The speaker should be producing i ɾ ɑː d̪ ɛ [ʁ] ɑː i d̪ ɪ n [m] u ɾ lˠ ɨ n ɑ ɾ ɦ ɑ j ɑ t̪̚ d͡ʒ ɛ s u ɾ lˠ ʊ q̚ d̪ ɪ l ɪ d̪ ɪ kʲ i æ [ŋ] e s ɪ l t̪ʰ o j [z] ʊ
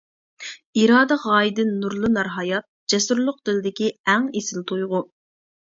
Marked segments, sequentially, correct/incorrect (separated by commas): correct, incorrect, correct, incorrect